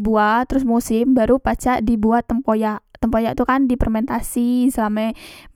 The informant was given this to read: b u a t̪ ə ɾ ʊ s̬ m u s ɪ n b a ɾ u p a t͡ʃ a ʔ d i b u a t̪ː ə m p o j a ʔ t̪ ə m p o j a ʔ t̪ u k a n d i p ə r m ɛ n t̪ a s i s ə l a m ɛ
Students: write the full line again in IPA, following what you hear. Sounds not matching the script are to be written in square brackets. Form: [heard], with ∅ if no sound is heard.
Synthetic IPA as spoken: b u a t̪ ə ɾ ʊ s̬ m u s ɪ [m] b a ɾ u p a t͡ʃ a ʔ d i b u a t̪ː ə m p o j a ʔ t̪ ə m p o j a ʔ t̪ u k a n d i p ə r m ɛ n t̪ a s i s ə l a m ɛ